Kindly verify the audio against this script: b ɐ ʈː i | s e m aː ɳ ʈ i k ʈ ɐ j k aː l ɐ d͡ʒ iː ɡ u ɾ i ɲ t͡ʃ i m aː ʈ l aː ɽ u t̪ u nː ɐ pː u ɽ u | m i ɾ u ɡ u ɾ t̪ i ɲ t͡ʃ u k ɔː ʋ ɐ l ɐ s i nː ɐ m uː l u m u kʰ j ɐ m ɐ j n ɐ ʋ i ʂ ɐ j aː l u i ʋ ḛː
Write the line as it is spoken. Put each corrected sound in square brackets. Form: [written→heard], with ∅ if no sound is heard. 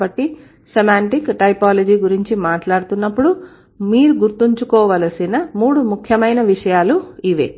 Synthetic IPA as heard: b ɐ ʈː i | s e m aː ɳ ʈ i k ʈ ɐ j [k→p] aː l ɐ d͡ʒ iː ɡ u ɾ i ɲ t͡ʃ i m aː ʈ l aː ɽ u t̪ u nː ɐ pː u ɽ u | m [i→iː] ɾ u ɡ u ɾ t̪ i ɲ t͡ʃ u k ɔː ʋ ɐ l ɐ s i [nː→n] ɐ m uː [l→ɽ] u m u kʰ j ɐ m ɐ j n ɐ ʋ i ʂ ɐ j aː l u i ʋ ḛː